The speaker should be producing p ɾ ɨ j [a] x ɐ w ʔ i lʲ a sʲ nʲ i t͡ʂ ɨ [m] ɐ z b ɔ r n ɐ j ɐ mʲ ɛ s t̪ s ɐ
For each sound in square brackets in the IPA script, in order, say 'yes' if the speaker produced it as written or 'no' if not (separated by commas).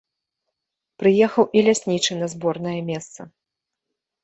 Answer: no, no